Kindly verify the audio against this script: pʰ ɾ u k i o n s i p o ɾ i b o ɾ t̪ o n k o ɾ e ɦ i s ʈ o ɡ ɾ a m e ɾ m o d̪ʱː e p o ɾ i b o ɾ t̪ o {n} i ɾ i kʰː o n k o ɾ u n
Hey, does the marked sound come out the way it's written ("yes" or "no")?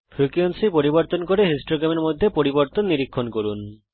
no